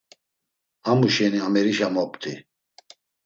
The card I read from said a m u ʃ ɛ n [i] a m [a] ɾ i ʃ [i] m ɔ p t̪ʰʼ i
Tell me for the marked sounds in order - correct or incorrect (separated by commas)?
correct, incorrect, incorrect